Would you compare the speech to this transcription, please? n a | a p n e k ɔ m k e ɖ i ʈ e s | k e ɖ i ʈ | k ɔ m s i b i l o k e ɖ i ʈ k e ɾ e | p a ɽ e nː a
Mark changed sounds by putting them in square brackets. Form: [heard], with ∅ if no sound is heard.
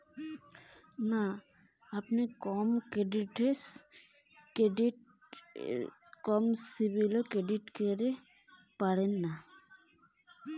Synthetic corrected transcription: n a | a p n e k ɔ m k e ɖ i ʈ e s | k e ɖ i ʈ | k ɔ m s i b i l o k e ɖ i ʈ k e ɾ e | p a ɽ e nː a